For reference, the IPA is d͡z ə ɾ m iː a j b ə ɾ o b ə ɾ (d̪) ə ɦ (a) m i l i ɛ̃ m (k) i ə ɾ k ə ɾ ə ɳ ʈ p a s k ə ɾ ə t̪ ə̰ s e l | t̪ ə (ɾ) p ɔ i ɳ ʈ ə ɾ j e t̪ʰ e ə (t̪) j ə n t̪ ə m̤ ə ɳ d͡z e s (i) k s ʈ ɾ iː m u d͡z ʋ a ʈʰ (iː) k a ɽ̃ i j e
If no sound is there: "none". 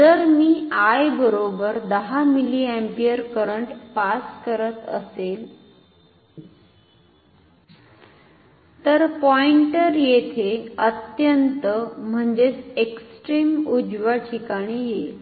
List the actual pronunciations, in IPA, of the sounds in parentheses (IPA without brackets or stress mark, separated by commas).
d̪, a, p, ɾ, t̪, e, i